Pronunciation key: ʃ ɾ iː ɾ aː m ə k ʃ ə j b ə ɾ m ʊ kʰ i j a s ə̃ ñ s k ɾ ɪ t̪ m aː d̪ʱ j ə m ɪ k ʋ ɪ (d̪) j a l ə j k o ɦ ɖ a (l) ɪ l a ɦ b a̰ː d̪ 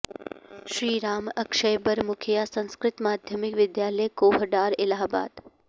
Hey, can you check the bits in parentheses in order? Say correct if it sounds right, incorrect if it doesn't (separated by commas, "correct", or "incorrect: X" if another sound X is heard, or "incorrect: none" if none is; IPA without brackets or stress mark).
correct, incorrect: ɾ